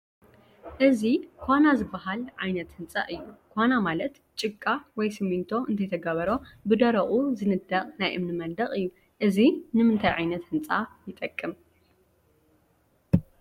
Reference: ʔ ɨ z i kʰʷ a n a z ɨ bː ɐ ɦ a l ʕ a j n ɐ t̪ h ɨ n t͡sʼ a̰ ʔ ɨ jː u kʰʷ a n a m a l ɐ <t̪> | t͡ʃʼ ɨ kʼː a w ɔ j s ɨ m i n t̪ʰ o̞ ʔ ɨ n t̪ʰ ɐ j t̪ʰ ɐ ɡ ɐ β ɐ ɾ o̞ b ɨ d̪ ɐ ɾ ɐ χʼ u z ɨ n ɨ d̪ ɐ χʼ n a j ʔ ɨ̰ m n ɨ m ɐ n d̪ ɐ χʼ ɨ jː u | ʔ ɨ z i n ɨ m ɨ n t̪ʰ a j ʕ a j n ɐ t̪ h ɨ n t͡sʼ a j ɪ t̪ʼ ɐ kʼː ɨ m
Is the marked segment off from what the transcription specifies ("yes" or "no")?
no